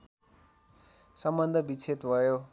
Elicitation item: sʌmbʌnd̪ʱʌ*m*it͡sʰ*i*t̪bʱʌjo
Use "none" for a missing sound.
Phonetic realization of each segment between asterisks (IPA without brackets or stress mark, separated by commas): b, e